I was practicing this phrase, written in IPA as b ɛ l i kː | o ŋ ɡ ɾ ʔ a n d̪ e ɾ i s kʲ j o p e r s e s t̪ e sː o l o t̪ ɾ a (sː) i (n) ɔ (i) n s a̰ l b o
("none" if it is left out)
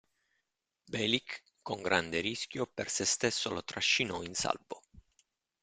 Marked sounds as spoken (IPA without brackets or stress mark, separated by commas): ʃː, n, i